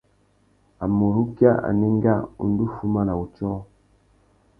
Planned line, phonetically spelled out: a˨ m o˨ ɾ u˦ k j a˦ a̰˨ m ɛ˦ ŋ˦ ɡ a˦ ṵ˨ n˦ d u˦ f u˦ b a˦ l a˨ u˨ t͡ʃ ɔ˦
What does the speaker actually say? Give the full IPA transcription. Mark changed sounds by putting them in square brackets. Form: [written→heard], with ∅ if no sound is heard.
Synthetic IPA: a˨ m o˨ ɾ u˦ k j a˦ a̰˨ [m→n] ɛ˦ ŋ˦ ɡ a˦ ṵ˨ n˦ d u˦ f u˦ [b→m] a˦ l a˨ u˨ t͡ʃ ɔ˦